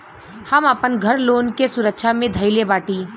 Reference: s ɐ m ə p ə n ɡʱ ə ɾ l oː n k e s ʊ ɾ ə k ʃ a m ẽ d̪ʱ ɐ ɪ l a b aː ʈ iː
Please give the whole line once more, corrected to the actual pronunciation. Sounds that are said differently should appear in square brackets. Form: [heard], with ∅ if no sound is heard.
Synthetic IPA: [h] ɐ m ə p ə n ɡʱ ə ɾ l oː n k e s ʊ ɾ ə k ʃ a m ẽ d̪ʱ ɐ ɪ l [e] b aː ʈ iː